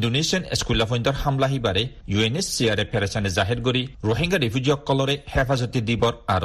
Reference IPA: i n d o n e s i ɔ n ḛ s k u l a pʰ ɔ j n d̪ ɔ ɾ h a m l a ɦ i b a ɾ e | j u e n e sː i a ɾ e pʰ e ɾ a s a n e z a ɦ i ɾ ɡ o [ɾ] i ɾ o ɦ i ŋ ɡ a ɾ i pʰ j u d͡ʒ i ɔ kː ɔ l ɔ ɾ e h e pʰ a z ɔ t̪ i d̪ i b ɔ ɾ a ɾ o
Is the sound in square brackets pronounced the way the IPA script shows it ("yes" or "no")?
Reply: yes